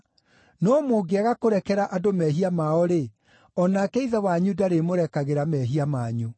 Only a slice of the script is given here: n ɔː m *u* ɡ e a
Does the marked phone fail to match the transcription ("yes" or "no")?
yes